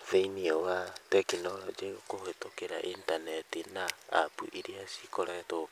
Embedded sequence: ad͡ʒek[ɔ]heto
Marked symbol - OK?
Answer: no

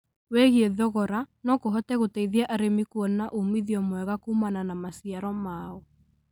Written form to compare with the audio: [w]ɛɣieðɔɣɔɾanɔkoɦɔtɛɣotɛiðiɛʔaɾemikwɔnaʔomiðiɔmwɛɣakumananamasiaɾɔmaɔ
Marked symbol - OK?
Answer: yes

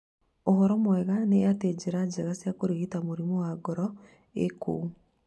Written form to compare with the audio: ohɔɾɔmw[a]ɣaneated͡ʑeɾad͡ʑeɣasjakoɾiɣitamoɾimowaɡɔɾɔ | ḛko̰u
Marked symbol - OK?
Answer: no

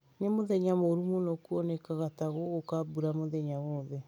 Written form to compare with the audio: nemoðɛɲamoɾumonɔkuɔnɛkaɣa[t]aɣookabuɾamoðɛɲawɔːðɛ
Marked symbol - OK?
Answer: yes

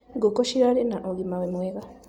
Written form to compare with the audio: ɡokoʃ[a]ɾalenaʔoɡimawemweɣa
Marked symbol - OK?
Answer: no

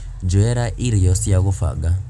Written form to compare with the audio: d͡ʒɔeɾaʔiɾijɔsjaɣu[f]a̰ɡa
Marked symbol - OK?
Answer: yes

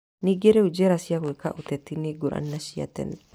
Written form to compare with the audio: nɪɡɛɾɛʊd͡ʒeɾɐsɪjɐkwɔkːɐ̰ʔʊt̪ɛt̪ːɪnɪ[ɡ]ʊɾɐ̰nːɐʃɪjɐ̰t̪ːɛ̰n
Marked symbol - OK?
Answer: yes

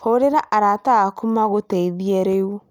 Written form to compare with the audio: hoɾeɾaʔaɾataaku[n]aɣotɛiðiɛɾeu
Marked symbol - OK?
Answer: no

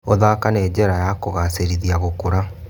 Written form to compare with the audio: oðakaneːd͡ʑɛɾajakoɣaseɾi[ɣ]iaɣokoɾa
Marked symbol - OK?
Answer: no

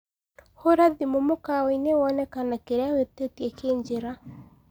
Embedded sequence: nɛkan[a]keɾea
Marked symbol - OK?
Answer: yes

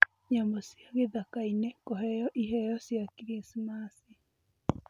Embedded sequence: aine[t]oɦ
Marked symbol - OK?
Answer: no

